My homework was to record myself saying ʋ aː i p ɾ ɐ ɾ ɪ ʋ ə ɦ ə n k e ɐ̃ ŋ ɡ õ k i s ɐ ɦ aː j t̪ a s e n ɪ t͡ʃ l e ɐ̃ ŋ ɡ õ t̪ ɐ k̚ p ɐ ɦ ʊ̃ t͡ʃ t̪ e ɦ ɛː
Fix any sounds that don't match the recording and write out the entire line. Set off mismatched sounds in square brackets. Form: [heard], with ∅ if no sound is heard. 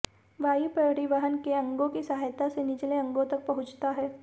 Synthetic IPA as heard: ʋ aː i p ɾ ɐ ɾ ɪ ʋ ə ɦ ə n k e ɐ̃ ŋ ɡ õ k i s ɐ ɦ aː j t̪ a s e n ɪ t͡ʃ l e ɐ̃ ŋ ɡ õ t̪ ɐ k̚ p ɐ ɦ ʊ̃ t͡ʃ t̪ [a] ɦ ɛː